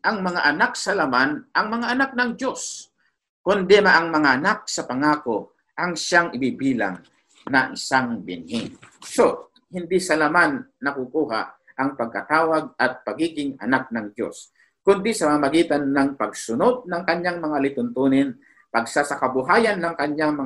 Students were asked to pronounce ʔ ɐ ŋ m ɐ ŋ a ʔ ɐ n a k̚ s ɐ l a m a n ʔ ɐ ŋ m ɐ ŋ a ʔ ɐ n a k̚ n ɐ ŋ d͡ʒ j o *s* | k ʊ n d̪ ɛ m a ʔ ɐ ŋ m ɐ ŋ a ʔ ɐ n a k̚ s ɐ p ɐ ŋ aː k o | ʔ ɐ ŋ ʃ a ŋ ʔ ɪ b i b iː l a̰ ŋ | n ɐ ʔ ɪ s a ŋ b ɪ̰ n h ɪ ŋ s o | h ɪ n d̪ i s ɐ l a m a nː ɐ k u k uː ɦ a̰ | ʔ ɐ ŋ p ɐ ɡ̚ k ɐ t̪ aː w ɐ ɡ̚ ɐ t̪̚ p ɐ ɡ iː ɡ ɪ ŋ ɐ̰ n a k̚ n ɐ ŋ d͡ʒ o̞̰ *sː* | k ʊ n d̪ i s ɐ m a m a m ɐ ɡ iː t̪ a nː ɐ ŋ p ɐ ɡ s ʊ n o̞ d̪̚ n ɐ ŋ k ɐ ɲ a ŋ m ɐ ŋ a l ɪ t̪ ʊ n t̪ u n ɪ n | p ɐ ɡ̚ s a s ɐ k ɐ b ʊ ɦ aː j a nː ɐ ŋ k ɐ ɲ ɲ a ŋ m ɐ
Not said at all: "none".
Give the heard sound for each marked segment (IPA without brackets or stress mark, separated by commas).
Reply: s, s